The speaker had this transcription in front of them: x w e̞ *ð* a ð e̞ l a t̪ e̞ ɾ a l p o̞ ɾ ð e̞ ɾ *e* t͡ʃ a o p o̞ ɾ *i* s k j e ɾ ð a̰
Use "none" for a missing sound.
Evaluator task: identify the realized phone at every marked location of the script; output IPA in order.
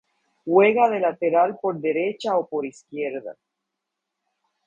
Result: ɣ, e, i

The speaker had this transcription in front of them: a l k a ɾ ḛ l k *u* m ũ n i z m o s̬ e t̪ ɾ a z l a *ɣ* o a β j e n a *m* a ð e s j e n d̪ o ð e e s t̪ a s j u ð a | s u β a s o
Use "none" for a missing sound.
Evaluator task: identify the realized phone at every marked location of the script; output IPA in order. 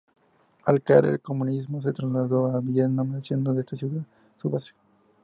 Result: o, ð, m

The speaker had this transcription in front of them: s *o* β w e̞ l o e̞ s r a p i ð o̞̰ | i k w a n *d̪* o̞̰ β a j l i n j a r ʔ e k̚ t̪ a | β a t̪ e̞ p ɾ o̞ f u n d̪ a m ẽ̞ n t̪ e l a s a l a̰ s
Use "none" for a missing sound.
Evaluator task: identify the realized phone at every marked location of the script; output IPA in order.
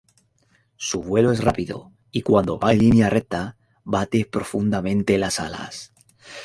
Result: u, d̪

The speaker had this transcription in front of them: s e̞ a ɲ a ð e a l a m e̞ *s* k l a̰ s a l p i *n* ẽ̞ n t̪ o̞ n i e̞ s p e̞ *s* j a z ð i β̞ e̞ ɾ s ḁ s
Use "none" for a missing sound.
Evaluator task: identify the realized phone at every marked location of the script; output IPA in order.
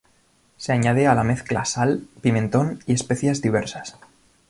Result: θ, m, θ

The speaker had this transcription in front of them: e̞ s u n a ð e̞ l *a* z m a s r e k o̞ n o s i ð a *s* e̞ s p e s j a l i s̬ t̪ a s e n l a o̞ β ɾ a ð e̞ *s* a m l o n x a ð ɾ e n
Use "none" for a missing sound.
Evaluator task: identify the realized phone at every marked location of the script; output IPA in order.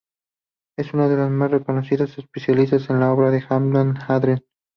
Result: a, s, x

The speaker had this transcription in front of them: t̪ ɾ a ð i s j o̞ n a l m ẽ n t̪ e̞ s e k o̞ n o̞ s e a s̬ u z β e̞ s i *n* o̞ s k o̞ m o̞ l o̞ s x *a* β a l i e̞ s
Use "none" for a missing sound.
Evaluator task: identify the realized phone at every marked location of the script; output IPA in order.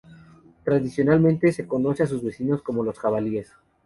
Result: n, a

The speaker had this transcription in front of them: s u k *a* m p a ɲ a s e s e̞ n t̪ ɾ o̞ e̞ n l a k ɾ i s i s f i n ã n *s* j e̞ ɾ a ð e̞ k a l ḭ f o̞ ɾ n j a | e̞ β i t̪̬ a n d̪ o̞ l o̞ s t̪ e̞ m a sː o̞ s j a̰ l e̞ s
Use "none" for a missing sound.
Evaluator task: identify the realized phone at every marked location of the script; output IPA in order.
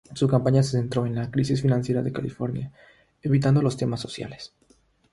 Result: a, s

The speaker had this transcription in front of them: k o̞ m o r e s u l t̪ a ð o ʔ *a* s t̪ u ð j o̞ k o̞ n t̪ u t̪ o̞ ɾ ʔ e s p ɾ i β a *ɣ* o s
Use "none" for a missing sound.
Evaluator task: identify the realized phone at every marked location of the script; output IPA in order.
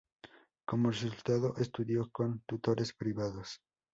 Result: e, ð

